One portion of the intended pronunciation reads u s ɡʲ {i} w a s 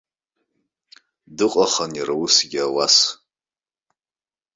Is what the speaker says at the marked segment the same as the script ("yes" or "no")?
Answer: no